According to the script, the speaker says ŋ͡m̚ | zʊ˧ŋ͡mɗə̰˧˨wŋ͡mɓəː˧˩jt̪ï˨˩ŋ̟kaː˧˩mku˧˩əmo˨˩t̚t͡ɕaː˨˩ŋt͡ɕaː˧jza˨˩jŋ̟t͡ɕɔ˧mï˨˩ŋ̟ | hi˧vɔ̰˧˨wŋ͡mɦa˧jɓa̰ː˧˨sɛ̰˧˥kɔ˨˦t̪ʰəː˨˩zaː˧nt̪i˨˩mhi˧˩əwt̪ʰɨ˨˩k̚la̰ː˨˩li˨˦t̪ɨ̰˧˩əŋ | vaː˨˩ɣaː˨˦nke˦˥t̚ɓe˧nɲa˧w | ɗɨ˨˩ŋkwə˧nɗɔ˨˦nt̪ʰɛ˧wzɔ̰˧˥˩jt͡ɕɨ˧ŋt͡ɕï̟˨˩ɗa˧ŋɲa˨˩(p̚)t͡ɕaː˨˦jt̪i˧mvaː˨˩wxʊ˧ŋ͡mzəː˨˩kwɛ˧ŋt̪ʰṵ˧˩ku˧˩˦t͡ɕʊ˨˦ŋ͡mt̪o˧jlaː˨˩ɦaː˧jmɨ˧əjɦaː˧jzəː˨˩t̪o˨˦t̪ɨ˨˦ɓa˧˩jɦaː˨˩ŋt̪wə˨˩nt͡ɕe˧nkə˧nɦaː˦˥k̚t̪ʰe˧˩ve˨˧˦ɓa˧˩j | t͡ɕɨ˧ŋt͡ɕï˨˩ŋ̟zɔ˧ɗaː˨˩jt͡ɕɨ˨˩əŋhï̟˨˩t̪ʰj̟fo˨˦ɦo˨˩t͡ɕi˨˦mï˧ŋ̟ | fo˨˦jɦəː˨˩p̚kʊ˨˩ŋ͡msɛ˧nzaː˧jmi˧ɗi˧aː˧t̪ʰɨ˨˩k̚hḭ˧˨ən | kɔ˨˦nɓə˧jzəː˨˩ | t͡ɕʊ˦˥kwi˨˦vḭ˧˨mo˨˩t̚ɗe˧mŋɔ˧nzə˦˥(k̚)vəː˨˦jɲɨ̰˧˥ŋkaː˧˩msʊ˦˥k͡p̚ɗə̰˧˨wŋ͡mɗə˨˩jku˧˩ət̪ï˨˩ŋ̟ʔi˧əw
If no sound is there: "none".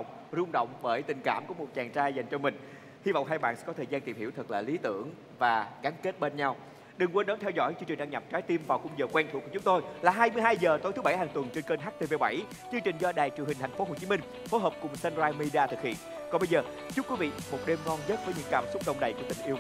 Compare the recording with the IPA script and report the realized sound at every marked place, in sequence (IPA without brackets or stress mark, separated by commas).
p̚, t̚